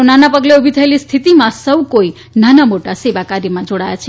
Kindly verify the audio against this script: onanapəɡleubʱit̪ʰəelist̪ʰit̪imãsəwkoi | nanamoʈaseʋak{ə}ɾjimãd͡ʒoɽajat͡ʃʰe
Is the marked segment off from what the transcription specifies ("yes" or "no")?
yes